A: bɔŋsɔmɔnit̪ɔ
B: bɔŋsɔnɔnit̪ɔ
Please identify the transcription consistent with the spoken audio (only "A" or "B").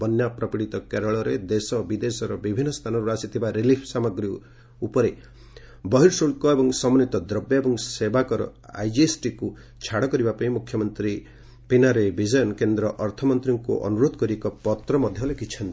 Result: A